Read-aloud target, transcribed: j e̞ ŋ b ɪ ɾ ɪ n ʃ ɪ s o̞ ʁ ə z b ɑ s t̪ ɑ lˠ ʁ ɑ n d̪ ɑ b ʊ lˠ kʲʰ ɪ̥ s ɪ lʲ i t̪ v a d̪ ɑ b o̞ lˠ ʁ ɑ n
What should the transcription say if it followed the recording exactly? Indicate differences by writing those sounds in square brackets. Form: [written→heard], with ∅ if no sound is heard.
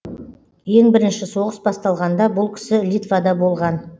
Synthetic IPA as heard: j e̞ ŋ b ɪ ɾ ɪ n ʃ ɪ s o̞ ʁ ə [z→s] b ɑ s t̪ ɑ lˠ ʁ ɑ n d̪ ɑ b ʊ lˠ kʲʰ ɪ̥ s ɪ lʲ i t̪ v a d̪ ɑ b o̞ lˠ ʁ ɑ n